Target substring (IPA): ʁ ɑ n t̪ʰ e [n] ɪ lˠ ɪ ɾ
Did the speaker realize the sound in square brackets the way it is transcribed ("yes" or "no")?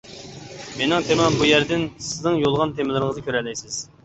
no